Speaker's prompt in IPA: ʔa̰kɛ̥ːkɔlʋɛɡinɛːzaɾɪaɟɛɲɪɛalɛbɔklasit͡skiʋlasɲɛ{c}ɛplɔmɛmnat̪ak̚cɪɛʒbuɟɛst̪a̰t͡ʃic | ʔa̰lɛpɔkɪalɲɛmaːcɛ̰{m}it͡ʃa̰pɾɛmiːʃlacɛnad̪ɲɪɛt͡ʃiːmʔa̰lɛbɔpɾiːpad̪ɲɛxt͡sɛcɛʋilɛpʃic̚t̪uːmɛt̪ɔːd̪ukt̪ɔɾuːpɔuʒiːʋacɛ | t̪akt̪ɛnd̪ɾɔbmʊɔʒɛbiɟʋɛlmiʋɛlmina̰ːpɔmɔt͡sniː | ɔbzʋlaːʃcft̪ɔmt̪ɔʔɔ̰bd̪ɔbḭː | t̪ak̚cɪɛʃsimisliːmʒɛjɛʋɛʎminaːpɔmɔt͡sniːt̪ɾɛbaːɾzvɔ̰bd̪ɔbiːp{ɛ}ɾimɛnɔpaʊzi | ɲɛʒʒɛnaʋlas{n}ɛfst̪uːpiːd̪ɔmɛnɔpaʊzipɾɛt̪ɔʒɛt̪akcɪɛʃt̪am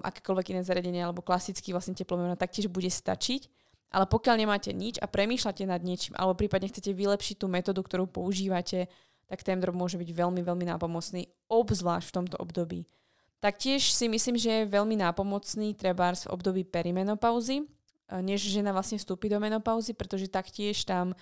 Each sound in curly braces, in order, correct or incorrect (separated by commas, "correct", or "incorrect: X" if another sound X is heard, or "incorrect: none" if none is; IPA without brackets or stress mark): correct, incorrect: ɲ, correct, incorrect: ɲ